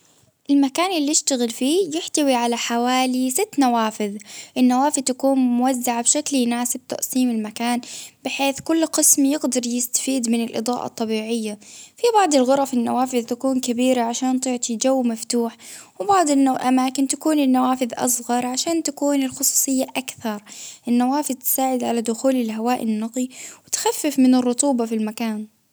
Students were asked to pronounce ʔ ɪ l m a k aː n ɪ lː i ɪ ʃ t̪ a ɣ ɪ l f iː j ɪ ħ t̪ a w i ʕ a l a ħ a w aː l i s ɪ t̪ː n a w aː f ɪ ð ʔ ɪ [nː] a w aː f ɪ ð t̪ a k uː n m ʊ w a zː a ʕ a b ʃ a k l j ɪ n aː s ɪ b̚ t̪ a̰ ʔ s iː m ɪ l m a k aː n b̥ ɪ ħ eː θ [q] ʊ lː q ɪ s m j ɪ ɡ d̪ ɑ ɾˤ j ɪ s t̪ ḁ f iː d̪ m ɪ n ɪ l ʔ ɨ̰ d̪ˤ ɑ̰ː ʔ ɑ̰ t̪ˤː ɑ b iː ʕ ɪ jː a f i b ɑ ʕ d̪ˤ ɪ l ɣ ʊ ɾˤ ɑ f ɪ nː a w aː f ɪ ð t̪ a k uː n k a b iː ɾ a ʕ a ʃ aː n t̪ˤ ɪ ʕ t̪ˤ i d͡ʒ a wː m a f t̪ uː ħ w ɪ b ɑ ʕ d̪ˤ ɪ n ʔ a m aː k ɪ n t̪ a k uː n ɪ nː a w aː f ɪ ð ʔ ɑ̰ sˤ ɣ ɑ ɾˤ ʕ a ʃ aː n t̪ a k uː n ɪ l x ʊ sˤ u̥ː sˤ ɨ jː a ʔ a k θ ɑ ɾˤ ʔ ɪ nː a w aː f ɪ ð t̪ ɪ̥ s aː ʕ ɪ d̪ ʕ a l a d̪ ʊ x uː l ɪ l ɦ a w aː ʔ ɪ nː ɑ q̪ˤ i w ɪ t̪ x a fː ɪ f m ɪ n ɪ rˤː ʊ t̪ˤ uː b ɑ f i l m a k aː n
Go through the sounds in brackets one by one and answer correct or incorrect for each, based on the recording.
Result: correct, incorrect

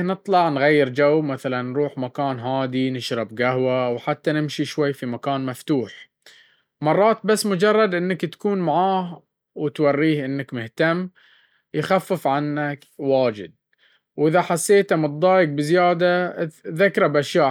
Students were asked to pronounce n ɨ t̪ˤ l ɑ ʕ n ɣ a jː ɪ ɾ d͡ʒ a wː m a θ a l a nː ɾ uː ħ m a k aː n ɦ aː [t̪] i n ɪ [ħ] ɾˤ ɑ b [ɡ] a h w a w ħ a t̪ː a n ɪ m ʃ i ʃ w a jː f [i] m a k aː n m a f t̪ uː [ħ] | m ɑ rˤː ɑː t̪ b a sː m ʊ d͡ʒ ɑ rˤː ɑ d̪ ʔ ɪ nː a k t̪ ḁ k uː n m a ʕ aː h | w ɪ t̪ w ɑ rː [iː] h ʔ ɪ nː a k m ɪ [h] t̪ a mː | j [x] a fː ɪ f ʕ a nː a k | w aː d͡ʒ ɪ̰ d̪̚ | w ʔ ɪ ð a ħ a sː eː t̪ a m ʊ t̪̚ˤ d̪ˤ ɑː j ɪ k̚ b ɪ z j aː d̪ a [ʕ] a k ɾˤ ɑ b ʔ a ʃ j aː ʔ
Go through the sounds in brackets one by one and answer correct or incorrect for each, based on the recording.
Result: incorrect, incorrect, correct, correct, correct, correct, correct, correct, incorrect

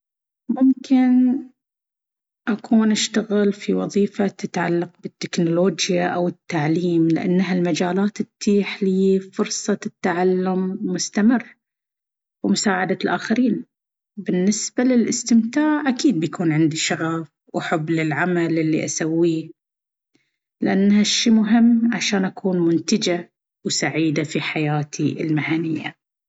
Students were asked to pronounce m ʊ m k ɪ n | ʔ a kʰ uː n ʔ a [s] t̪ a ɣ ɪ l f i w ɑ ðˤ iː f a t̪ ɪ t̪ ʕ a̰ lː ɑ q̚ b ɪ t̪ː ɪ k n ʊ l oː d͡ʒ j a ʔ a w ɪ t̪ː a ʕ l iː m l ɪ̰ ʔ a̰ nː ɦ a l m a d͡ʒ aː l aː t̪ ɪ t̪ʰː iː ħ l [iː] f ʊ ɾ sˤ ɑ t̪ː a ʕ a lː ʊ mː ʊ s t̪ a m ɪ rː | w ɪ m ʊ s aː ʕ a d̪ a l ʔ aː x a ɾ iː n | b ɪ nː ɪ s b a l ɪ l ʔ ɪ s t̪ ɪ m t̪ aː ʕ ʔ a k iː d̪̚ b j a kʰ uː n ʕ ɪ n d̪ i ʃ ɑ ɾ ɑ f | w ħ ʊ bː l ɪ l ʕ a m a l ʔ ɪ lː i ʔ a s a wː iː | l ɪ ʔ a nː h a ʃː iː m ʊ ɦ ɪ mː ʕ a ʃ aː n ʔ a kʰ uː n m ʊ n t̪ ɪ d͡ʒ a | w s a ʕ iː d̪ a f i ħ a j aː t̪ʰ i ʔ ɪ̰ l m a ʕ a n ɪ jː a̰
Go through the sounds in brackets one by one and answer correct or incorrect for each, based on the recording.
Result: incorrect, correct

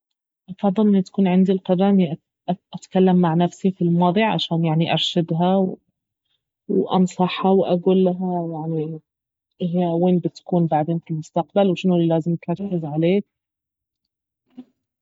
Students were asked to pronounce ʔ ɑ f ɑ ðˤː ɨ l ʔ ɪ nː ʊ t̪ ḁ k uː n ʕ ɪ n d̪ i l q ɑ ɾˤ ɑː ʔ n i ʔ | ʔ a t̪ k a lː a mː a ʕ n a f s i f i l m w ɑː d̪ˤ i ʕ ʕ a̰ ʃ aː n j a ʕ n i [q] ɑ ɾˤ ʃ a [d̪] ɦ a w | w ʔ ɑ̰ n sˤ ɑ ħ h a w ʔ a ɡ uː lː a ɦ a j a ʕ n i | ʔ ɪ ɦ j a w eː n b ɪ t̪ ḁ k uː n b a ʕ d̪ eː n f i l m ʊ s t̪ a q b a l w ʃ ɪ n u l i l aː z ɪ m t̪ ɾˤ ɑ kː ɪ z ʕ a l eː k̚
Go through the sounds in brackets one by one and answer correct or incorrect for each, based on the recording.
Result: incorrect, correct

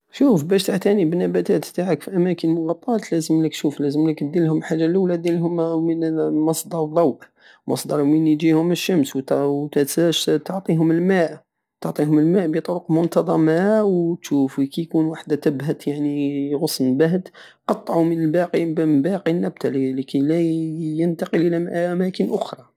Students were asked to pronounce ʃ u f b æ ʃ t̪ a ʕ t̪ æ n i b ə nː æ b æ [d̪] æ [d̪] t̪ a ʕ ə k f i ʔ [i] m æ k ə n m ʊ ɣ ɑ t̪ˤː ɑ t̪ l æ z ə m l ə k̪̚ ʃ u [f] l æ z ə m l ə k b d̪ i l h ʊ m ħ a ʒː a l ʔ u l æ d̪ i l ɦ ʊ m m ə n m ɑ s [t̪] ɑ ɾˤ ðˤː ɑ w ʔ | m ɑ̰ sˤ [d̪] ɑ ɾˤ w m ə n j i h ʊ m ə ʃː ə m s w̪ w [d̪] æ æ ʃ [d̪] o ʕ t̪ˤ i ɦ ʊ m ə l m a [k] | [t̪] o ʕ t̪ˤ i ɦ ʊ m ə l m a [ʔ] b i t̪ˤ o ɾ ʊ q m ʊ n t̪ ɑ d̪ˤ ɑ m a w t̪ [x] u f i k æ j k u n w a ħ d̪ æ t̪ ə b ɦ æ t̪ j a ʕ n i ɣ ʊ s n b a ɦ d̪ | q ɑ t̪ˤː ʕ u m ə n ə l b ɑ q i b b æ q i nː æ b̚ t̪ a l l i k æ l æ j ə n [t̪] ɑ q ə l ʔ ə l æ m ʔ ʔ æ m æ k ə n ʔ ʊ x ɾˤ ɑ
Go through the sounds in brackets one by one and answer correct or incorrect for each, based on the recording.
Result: incorrect, incorrect, incorrect, correct, incorrect, correct, incorrect, incorrect, incorrect, correct, correct, incorrect, correct

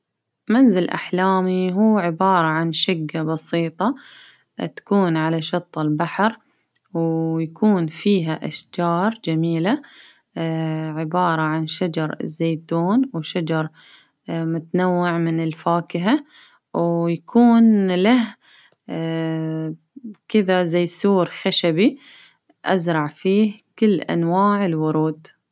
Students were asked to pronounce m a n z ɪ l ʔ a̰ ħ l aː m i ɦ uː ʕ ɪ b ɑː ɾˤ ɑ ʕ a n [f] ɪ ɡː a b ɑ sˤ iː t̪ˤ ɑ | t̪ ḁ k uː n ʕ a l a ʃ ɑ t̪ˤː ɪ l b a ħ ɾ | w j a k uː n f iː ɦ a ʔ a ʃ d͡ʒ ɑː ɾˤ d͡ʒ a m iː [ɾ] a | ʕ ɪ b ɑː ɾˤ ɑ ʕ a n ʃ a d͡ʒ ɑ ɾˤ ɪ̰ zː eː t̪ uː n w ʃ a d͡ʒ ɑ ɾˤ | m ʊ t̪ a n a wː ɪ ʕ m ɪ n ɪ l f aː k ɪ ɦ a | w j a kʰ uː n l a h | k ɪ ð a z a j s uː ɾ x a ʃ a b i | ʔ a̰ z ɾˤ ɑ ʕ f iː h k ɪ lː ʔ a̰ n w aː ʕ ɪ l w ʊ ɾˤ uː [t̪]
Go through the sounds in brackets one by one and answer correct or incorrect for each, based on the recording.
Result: incorrect, incorrect, incorrect

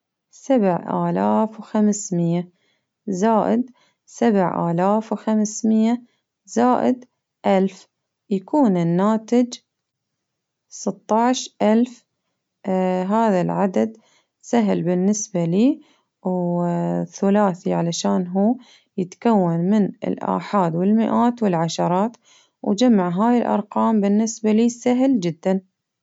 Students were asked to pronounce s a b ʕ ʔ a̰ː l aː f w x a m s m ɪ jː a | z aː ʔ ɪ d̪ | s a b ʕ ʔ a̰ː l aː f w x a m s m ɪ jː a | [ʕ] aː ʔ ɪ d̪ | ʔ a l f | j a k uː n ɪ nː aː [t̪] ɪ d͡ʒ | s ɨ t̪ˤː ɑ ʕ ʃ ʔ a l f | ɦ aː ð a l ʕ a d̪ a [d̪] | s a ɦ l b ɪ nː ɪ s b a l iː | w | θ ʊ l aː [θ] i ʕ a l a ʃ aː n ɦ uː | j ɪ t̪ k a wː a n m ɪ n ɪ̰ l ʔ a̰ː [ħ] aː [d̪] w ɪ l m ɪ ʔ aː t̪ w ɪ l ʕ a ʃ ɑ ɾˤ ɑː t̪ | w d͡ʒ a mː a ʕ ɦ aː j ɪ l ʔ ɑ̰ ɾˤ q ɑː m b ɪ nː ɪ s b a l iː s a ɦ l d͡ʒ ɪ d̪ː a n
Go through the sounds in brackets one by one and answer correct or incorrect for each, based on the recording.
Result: incorrect, correct, correct, correct, correct, correct

